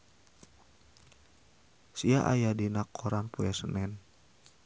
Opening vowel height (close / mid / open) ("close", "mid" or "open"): close